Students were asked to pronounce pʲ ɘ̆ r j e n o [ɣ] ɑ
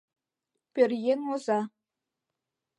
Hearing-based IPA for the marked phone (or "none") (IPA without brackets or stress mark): z